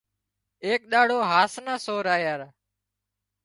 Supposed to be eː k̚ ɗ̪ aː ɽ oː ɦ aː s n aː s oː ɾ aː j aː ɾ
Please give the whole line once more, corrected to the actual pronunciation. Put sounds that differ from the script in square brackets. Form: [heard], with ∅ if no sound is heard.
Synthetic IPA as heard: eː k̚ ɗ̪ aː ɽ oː ɦ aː s n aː s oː ɾ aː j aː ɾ

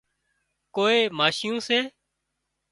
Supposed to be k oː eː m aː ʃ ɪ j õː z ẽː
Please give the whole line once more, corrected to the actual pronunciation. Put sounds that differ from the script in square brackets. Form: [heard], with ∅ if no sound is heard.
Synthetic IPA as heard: k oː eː m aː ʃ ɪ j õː [s] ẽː

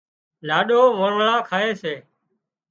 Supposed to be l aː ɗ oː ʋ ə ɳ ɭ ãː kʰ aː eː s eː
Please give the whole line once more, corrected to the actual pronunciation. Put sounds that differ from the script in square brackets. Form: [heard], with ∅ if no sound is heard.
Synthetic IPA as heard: l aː ɗ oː ʋ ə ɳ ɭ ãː kʰ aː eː s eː

